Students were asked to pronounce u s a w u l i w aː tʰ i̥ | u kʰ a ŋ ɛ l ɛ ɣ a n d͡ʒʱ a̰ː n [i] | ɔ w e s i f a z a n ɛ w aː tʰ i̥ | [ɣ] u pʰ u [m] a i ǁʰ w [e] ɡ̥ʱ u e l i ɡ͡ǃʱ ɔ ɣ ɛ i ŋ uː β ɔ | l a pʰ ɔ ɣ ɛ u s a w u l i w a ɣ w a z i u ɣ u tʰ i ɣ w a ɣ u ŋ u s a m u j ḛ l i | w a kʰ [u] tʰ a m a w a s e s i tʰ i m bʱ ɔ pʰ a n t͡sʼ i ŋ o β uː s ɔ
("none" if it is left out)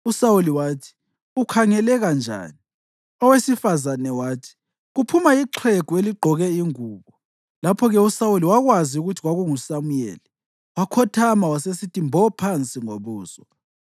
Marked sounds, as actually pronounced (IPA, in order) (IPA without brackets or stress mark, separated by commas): i, ɣ, m, e, ɔ